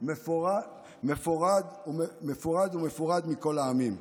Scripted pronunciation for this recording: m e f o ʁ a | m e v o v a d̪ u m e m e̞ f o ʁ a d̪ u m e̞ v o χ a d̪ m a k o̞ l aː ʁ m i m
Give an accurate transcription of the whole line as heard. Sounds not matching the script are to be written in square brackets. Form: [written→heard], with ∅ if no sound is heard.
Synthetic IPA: m e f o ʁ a | m e [v→f] o [v→ʁ] a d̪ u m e m e̞ f o ʁ a d̪ u m e̞ [v→f] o [χ→ʁ] a d̪ m [a→i] k o̞ l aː [ʁ→∅] m i m